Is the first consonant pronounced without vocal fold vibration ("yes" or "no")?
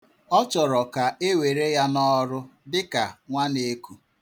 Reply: yes